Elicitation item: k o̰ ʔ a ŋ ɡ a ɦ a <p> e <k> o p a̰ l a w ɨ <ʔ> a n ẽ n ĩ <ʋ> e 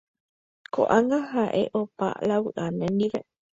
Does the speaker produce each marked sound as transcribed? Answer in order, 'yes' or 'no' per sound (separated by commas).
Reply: no, no, yes, yes